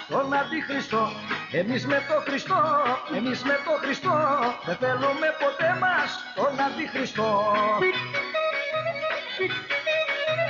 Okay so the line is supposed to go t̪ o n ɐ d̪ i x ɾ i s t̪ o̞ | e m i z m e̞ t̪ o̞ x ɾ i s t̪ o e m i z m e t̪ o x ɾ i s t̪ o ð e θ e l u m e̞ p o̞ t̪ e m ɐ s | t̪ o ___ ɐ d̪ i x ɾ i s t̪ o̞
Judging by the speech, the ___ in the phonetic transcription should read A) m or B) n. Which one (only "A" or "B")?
B